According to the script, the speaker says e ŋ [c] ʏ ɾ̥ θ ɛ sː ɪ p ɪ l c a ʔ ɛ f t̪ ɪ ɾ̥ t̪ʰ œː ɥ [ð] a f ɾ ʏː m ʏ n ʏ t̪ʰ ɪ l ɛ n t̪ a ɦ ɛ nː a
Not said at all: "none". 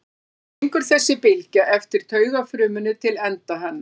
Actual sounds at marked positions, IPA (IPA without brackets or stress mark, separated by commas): k, ɣ